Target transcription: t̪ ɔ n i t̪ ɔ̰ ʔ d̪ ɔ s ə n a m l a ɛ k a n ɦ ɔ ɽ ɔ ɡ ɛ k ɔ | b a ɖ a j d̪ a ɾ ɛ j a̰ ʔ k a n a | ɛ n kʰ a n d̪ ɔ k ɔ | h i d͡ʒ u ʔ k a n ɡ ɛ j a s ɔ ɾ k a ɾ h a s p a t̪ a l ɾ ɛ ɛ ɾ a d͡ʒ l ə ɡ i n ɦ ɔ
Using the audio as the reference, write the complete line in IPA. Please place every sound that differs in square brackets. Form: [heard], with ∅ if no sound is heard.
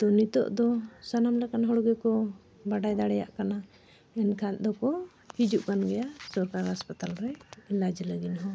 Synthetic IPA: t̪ ɔ n i t̪ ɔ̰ ʔ d̪ ɔ s [a] n a m l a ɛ k a n ɦ ɔ ɽ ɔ ɡ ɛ k ɔ | b a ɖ a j d̪ a [ɽ] ɛ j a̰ ʔ k a n a | ɛ n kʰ a n d̪ ɔ k ɔ | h i d͡ʒ u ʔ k a n ɡ ɛ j a s ɔ ɾ k a ɾ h a s p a t̪ a l ɾ ɛ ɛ [l] a d͡ʒ l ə ɡ i n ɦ ɔ

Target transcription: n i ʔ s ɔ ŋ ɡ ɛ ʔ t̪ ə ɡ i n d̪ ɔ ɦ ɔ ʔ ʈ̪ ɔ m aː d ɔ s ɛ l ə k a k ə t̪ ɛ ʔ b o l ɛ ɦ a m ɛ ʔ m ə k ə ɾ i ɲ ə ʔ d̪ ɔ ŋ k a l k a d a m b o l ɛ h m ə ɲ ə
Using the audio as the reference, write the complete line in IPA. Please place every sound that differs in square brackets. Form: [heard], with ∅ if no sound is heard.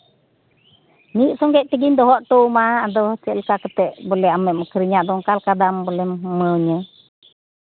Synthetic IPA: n i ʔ s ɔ ŋ ɡ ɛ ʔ t̪ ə ɡ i n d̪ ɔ ɦ ɔ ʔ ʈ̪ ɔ m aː d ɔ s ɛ l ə k a k ə t̪ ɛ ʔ b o l ɛ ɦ a m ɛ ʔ m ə k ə ɾ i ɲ [a] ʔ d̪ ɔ ŋ k a l k a d a m b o l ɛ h m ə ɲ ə

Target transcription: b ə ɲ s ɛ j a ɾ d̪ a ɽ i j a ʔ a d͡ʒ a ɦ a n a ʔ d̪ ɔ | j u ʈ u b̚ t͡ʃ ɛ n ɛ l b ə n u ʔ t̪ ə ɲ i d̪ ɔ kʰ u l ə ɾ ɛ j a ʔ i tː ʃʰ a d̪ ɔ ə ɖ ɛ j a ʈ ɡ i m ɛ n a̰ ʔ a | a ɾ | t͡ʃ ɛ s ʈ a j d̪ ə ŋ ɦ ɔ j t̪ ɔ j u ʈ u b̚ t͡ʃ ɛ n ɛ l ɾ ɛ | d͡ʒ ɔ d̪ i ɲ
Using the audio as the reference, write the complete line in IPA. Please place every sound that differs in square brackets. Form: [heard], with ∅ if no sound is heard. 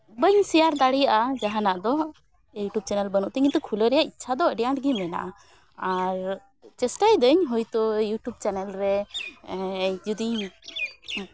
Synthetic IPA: b ə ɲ s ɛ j a ɾ d̪ a ɽ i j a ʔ a d͡ʒ a ɦ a n a ʔ d̪ ɔ | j u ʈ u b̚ t͡ʃ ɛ n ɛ l b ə n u ʔ t̪ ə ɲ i [t̪] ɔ kʰ u l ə ɾ ɛ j a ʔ i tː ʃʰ a d̪ ɔ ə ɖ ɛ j a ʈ ɡ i m ɛ n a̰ ʔ a | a ɾ | t͡ʃ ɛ s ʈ a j d̪ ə [ɲ] ɦ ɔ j t̪ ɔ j u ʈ u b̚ t͡ʃ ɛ n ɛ l ɾ ɛ | d͡ʒ [u] d̪ i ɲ

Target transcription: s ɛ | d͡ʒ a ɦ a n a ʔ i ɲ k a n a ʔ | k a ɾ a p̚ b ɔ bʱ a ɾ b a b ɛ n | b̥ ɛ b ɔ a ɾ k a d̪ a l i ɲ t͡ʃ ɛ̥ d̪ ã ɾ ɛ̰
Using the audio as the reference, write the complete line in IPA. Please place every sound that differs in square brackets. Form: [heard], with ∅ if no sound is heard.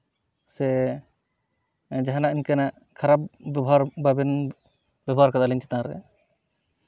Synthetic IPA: s ɛ | d͡ʒ a ɦ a n a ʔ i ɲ k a n a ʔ | [kʰ] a ɾ a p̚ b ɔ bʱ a ɾ b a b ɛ n | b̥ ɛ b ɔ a ɾ k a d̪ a l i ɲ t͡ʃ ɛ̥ [t̪] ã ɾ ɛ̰

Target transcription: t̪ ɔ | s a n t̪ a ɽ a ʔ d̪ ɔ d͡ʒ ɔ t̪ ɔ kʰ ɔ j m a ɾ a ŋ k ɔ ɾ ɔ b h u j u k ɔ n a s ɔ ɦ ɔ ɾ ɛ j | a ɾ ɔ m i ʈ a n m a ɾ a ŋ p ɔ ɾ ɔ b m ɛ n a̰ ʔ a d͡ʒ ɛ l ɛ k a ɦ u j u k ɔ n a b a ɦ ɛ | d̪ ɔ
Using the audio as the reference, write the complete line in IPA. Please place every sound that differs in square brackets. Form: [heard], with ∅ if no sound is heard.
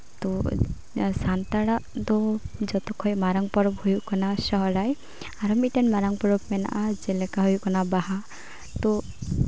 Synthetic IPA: t̪ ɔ | s a n t̪ a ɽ a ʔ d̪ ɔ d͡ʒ ɔ t̪ ɔ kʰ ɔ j m a ɾ a ŋ [p] ɔ ɾ ɔ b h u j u k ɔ n a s ɔ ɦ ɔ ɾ [a] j | a ɾ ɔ m i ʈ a n m a ɾ a ŋ p ɔ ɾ ɔ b m ɛ n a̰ ʔ a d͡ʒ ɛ l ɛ k a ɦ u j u k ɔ n a b a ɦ [a] | [t̪] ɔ

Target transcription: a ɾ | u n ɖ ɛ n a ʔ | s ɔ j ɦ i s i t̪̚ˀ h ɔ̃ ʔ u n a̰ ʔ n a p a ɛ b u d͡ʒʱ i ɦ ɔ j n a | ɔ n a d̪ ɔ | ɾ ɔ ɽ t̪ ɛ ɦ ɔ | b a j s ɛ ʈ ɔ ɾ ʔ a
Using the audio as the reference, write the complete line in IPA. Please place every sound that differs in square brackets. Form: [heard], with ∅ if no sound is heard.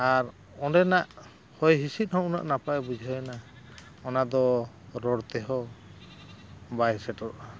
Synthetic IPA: a ɾ | [ɔ] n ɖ ɛ n a ʔ | [h] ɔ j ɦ i s i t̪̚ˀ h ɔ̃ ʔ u n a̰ ʔ n a p a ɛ b u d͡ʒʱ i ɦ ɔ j n a | ɔ n a d̪ ɔ | ɾ ɔ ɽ t̪ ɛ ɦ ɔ | b a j s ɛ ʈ ɔ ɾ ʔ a

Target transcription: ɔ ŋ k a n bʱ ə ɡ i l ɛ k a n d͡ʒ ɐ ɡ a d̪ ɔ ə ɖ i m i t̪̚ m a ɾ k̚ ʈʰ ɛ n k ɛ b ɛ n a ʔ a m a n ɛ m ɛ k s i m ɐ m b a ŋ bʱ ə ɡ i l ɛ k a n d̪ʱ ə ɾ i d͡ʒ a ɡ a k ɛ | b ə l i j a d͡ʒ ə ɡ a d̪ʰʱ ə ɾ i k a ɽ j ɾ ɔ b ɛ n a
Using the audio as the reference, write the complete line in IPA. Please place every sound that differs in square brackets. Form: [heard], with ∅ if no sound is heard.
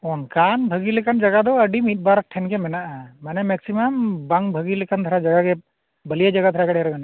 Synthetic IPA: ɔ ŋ k a n bʱ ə ɡ i l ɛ k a n d͡ʒ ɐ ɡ a d̪ ɔ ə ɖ i m i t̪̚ [b] a ɾ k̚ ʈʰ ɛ n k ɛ [m] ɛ n a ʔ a m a n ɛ m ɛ k s i m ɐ m b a ŋ bʱ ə ɡ i l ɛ k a n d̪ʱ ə ɾ [a] d͡ʒ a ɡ a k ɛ | b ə l i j a d͡ʒ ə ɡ a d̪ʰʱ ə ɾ [a] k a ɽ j ɾ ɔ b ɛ n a

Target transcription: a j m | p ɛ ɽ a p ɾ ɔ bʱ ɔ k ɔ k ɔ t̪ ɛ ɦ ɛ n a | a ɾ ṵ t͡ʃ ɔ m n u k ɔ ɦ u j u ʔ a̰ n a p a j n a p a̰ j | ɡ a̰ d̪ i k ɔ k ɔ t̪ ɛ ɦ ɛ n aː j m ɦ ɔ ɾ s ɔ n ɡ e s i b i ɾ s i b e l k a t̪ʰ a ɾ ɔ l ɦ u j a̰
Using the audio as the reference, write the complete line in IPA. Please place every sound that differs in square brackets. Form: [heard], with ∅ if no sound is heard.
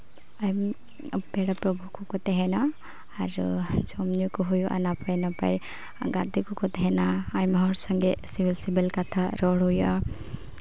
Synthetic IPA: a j m | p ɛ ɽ a p ɾ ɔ bʱ [u] k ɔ k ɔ t̪ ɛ ɦ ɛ n a | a ɾ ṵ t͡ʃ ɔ m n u k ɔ ɦ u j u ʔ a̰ n a p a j n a p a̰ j | ɡ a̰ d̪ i k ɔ k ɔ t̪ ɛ ɦ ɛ n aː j m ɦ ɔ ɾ s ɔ [ŋ] ɡ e s i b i [l] s i b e l k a t̪ʰ a ɾ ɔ [ɽ] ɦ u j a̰

